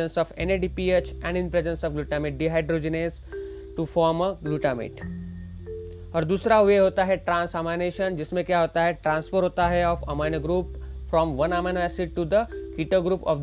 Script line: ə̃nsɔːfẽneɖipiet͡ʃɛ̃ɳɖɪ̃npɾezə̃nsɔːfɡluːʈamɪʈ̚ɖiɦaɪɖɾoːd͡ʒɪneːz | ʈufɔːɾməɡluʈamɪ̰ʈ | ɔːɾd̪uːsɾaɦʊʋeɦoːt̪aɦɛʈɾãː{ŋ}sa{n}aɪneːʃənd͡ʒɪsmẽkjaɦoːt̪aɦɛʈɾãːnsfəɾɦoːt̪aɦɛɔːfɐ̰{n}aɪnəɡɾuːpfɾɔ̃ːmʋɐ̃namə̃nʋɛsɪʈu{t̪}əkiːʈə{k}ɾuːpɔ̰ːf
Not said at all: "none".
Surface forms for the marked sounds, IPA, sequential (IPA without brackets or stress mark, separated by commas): n, m, m, d̪, ɡ